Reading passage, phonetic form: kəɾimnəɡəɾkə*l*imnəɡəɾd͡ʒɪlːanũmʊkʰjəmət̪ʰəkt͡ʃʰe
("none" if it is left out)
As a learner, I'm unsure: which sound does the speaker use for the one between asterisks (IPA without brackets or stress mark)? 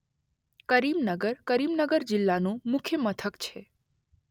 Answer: ɾ